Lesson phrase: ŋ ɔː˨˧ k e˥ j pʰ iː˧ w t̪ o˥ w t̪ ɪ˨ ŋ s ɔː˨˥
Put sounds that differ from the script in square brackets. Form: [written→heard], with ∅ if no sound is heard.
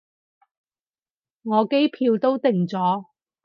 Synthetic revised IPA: ŋ ɔː˨˧ k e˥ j pʰ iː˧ w t̪ o˥ w t̪ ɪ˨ ŋ [s→t͡s] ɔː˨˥